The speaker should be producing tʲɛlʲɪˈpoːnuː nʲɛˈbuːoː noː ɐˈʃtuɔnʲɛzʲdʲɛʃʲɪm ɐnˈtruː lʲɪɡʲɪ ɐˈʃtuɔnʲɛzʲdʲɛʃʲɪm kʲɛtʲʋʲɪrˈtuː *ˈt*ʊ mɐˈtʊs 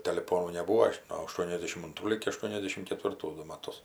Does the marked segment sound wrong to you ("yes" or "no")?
yes